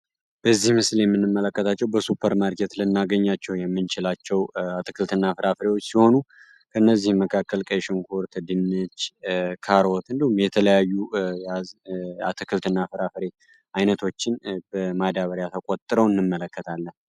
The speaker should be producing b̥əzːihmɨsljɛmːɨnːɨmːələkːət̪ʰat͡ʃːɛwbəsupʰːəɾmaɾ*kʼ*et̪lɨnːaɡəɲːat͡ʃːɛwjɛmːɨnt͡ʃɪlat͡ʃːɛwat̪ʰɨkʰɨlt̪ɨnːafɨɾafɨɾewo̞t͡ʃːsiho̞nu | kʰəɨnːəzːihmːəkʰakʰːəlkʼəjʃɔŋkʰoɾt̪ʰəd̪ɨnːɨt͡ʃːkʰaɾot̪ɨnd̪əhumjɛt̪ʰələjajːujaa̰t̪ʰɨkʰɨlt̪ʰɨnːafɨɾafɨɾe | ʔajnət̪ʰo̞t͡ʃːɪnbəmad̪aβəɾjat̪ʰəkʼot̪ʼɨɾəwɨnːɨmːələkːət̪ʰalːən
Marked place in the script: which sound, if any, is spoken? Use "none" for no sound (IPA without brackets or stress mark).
k